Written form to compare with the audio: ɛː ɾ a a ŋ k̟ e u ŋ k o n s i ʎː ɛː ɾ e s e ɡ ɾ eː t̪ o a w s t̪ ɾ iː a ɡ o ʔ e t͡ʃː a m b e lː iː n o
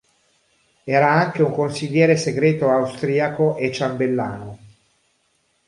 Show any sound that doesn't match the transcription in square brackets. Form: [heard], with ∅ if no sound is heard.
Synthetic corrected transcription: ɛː ɾ a a ŋ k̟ e u ŋ k o n s i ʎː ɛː ɾ e s e ɡ ɾ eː t̪ o a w s t̪ ɾ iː a [k] o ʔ e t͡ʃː a m b e lː [aː] n o

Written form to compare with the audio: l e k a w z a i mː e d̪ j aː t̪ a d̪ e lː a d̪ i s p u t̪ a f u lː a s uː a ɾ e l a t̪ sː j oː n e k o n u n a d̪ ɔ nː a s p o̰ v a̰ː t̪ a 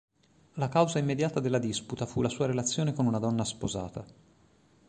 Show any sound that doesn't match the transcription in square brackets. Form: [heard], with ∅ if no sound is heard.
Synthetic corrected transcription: l [a] k a w z a i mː e d̪ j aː t̪ a d̪ e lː a d̪ i s p u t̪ a f u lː a s uː a ɾ e l a t̪ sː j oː n e k o n u n a d̪ ɔ nː a s p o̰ [z] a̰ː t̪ a

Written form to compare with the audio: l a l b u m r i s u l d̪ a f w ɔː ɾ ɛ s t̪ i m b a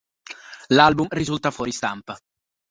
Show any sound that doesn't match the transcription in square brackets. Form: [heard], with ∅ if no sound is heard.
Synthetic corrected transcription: l a l b u m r i [z] u l [t̪] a f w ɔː ɾ [i] s t̪ [a] m [p] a

